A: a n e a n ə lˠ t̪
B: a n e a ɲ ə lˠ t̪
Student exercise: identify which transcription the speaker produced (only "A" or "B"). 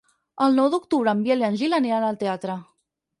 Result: A